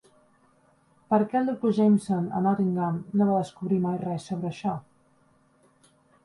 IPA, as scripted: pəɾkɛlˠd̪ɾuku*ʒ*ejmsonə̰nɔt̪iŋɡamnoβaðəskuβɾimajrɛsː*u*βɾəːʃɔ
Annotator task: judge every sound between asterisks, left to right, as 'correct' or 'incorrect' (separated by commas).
correct, incorrect